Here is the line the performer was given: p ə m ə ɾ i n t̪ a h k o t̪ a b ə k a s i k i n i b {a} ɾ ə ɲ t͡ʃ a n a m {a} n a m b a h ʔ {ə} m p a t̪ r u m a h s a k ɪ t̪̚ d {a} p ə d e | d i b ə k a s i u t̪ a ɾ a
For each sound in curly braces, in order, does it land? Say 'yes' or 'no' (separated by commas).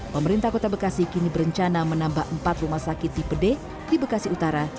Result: no, no, yes, no